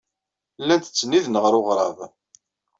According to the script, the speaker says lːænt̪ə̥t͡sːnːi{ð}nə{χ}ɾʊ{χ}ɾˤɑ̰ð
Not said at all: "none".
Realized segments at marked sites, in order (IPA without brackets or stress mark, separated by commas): ð, ʁ, ʁ